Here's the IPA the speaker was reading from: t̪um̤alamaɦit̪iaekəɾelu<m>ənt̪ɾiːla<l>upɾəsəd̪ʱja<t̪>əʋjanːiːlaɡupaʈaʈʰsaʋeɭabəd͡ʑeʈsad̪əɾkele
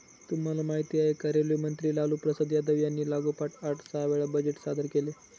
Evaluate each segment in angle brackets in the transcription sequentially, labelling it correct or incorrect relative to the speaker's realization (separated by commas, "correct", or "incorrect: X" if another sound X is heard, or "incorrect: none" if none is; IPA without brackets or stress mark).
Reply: correct, correct, incorrect: d̪